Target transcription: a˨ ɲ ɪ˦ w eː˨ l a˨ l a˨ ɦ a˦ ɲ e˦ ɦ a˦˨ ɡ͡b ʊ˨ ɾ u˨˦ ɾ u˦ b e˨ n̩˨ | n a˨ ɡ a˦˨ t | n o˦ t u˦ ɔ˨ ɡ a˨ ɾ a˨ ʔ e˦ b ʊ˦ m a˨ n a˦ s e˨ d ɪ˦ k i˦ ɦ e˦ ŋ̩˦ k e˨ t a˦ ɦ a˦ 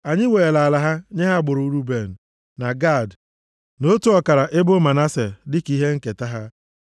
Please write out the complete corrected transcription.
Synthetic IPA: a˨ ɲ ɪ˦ w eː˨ l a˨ l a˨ ɦ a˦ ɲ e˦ ɦ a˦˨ ɡ͡b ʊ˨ ɾ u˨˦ ɾ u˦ b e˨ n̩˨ | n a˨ ɡ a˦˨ d | n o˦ t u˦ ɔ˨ k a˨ ɾ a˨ ʔ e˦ b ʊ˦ m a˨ n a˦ s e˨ d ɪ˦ k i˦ ɦ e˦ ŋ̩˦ k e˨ t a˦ ɦ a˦

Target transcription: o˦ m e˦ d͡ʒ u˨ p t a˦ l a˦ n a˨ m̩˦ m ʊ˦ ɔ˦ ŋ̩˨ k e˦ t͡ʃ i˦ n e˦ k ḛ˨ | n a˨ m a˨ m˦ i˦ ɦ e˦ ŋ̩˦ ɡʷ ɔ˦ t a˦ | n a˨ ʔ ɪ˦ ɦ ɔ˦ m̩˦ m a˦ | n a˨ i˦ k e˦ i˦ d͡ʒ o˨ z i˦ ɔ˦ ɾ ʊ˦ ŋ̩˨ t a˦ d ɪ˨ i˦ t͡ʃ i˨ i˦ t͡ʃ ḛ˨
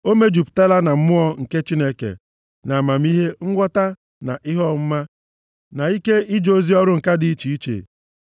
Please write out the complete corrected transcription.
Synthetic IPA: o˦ m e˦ d͡ʒ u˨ p t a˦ l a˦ n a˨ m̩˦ m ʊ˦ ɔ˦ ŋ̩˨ k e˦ t͡ʃ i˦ n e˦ k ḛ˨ | n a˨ m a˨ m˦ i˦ ɦ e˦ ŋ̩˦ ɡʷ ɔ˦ t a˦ | n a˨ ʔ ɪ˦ ɦ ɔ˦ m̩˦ m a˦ | n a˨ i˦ k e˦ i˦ d͡ʒ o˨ z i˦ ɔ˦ ɾ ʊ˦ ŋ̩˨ k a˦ d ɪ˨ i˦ t͡ʃ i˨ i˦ t͡ʃ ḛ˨

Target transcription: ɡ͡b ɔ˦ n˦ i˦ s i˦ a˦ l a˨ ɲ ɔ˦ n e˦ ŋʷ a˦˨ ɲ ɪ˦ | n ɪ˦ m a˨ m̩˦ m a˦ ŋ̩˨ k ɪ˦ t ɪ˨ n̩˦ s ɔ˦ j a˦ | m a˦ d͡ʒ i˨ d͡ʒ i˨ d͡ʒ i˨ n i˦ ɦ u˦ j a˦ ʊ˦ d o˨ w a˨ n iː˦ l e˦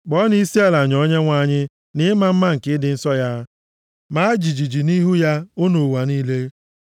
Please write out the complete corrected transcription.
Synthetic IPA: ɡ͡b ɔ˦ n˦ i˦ s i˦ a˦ l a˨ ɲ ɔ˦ ɲ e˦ ŋʷ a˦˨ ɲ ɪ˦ | n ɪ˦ m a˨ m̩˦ m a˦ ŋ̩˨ k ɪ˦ d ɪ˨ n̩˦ s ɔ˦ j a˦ | m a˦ d͡ʒ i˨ d͡ʒ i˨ d͡ʒ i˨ n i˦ ɦ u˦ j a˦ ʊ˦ n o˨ w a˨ n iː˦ l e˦

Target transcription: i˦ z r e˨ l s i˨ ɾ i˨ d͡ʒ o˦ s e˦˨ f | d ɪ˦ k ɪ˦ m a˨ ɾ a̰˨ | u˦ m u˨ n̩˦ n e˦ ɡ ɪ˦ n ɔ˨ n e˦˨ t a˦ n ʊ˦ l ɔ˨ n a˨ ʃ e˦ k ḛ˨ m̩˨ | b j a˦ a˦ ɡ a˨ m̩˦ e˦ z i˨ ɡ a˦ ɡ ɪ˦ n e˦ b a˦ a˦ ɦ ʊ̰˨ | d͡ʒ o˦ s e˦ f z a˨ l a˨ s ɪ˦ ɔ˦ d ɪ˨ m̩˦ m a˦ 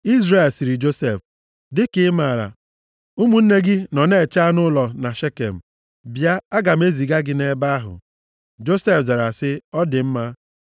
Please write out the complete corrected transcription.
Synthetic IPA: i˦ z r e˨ l s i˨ ɾ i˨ d͡ʒ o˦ s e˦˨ f | d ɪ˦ k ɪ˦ m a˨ ɾ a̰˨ | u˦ m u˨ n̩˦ n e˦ ɡ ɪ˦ n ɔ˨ n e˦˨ t͡ʃ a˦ n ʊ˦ l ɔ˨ n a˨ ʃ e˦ k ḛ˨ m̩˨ | b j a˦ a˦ ɡ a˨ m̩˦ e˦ z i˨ ɡ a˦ ɡ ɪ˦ n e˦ b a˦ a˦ ɦ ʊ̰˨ | d͡ʒ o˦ s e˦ f z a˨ ɾ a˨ s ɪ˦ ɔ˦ d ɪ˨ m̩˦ m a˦

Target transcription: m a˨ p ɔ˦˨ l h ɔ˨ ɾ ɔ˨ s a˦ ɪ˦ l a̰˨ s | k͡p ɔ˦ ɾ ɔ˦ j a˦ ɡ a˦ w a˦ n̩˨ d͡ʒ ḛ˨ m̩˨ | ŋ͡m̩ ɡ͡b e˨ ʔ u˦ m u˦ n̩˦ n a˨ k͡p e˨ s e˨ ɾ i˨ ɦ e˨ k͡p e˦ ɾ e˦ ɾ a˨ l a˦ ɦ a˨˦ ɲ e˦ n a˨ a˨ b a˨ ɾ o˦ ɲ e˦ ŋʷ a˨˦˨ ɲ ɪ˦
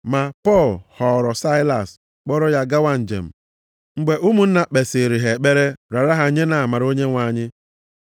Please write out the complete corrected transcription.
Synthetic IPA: m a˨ p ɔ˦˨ l h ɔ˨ ɾ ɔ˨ s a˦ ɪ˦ l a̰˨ s | k͡p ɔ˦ ɾ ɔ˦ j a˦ ɡ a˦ w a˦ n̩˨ d͡ʒ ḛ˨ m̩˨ | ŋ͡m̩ ɡ͡b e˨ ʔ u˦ m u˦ n̩˦ n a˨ k͡p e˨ s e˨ ɾ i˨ ɦ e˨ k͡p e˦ ɾ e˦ ɾ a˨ ɾ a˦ ɦ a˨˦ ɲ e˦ n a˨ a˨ m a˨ ɾ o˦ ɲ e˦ ŋʷ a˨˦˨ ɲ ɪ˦

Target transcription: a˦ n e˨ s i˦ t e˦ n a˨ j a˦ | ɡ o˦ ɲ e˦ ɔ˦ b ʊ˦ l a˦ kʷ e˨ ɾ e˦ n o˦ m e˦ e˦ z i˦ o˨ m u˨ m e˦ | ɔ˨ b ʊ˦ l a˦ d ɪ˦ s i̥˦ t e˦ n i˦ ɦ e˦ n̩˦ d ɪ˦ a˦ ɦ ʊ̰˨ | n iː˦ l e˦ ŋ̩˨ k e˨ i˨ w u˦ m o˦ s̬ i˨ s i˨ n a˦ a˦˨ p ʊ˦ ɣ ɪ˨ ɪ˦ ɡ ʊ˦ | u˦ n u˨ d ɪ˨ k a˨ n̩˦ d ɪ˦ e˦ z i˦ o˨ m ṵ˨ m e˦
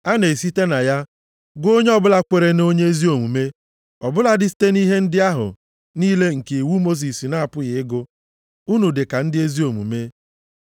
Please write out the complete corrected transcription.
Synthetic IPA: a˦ n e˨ s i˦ t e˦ n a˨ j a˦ | ɡ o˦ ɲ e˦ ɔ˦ b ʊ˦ l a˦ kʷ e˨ ɾ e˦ n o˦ ɲ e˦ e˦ z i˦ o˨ m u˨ m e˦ | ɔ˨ b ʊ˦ l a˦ d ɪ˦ s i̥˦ t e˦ n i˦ ɦ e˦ n̩˦ d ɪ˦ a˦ ɦ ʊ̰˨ | n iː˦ l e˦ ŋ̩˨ k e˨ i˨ w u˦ m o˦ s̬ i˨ s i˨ n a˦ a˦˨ p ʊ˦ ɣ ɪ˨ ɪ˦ ɡ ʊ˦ | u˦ n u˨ d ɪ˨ k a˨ n̩˦ d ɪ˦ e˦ z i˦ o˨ m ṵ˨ m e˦

